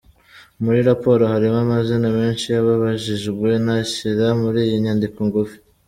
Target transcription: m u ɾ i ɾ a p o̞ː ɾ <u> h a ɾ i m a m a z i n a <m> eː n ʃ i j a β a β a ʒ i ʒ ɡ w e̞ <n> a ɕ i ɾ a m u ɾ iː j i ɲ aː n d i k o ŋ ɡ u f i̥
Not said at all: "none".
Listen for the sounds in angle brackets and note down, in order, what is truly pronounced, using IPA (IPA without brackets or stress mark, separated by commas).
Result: o, m, n